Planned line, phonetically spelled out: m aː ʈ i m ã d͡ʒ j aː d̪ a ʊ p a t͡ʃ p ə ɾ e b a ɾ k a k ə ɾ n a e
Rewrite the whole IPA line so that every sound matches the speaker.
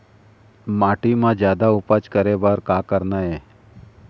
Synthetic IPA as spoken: m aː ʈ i m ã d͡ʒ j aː d̪ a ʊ p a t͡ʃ k ə ɾ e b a ɾ k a k ə ɾ n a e